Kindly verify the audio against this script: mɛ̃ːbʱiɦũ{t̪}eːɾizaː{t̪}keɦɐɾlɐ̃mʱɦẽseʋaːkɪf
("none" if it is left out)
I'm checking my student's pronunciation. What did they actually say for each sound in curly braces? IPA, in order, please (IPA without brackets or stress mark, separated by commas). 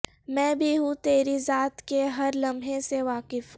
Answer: t̪, t̪